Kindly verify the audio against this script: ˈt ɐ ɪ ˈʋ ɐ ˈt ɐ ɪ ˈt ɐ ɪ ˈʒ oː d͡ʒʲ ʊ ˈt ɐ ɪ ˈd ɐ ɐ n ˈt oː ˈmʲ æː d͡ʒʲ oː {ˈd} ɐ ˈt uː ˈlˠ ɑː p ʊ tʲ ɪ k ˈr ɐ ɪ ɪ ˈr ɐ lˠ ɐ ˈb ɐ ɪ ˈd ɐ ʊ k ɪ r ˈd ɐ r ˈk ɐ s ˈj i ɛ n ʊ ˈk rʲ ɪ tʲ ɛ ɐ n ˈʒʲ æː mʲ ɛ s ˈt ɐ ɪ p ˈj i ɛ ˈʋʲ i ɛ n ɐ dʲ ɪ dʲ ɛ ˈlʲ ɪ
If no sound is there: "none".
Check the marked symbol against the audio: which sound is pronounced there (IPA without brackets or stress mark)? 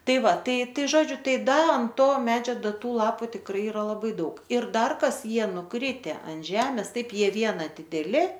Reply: d